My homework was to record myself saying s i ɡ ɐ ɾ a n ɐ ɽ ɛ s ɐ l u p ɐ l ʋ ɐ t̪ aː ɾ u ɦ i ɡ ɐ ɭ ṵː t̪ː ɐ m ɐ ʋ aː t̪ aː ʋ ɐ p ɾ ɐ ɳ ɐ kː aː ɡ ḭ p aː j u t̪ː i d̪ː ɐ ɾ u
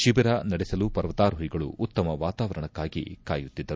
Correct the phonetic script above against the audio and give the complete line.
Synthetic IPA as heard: ʃ i b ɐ ɾ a n ɐ ɽ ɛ s ɐ l u p ɐ ɾ ʋ ɐ t̪ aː ɾ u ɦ i ɡ ɐ ɭ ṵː t̪ː ɐ m ɐ ʋ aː t̪ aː ʋ ɐ ɾ ɐ ɳ ɐ kː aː ɡ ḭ k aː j u t̪ː i d̪ː ɐ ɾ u